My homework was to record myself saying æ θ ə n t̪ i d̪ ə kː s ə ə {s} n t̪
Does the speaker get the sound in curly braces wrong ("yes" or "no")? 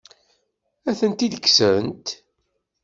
yes